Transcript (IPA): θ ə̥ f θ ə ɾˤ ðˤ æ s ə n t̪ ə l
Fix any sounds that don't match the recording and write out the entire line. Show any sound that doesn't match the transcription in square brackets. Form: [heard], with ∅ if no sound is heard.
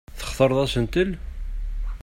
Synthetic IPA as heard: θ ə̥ [χ] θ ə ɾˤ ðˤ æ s ə n t̪ ə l